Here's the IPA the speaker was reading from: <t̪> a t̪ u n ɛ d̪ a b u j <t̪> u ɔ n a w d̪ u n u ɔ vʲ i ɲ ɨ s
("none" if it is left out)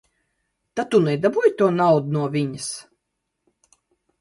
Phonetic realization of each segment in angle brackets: t̪, t̪

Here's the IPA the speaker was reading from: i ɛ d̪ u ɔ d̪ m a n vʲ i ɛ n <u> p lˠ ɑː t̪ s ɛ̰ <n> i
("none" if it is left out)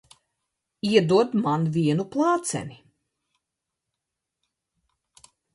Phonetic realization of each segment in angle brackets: u, n

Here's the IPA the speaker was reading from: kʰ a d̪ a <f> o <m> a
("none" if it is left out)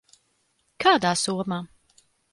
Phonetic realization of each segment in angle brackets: s, m

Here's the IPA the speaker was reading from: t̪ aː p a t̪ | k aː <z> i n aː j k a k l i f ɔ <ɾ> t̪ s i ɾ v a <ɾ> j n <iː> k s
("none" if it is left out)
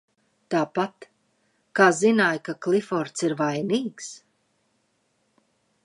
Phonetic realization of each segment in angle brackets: z, ɾ, none, iː

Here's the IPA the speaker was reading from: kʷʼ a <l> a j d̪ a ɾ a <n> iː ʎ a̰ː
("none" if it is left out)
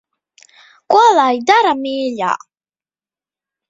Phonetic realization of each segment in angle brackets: l, m

